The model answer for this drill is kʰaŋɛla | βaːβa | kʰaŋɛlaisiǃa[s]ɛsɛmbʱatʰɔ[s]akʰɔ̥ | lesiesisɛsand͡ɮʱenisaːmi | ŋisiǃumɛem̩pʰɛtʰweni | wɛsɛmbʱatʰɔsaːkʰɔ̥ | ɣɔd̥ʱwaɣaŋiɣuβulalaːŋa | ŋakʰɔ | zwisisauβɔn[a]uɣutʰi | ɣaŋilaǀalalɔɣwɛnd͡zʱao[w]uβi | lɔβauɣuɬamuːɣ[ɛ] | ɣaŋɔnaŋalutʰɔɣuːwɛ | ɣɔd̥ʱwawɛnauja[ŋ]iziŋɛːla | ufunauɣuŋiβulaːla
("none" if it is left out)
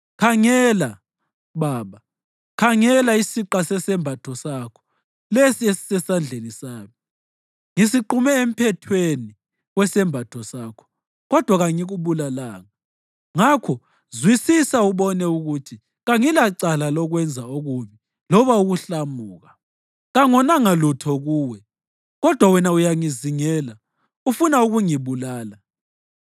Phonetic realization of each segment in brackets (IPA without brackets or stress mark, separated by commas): s, s, ɛ, ɣ, a, ŋ